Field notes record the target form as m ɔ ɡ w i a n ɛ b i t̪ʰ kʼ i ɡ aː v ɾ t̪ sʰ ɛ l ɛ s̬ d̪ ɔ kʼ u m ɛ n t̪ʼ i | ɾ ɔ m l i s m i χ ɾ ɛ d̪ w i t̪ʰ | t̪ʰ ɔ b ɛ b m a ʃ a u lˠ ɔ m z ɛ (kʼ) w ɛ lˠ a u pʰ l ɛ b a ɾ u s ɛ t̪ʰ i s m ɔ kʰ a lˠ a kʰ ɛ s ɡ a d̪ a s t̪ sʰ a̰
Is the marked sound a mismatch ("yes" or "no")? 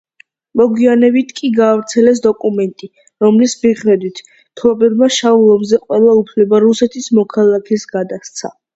yes